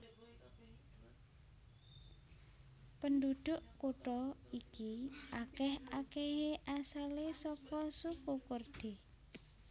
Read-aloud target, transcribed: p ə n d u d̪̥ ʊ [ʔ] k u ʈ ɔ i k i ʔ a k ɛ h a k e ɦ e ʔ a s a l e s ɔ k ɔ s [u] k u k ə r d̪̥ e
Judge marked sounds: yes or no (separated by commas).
yes, yes